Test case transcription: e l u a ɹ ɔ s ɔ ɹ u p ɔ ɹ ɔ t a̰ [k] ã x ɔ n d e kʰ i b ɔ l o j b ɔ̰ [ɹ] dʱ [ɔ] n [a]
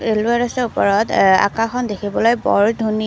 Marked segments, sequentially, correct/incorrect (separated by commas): correct, correct, incorrect, incorrect